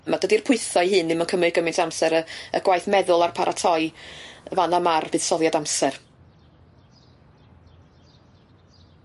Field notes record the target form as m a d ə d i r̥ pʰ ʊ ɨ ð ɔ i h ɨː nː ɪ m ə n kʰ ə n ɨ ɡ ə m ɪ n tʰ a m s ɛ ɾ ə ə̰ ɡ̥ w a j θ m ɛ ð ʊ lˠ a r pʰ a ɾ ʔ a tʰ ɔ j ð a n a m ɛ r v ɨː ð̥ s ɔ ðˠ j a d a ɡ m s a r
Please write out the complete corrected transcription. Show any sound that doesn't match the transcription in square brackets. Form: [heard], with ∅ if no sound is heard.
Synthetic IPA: m a d ə d i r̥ pʰ ʊ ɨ [θ] ɔ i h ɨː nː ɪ m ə n kʰ ə [m] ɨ ɡ ə m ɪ n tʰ a m s ɛ ɾ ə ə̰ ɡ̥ w a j θ m ɛ ð ʊ lˠ a r pʰ a ɾ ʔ a tʰ ɔ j [v] a n a m [a] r v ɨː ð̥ s ɔ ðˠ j a d a [∅] m s [ɛ] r